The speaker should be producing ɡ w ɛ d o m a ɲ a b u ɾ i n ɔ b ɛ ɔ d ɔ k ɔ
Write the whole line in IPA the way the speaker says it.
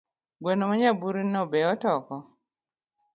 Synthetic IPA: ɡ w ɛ n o m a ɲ a b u ɾ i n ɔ b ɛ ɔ t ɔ k ɔ